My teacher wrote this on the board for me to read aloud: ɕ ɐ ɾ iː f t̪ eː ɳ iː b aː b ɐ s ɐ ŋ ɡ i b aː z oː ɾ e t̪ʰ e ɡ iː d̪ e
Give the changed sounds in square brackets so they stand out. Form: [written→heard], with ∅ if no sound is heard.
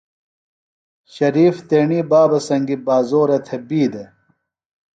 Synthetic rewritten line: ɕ ɐ ɾ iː f t̪ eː ɳ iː b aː b ɐ s ɐ ŋ ɡ i b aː z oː ɾ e t̪ʰ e [ɡ→b] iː d̪ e